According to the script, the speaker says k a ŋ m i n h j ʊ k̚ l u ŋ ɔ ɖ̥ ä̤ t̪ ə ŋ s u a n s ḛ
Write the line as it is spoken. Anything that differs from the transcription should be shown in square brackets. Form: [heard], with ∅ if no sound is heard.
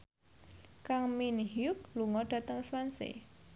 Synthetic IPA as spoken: k a ŋ m i n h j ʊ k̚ l u ŋ ɔ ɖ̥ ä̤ t̪ ə ŋ s [w] a n s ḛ